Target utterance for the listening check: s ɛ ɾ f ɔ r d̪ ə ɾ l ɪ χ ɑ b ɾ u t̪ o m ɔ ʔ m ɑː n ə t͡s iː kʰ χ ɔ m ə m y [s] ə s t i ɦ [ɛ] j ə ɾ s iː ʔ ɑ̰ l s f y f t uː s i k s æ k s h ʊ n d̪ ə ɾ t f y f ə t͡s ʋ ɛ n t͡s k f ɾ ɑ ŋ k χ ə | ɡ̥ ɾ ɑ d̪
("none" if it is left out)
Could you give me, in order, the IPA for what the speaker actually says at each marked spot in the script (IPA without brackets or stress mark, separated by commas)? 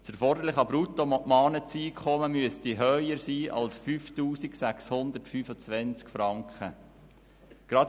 none, œ